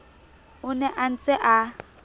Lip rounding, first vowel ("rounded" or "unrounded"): rounded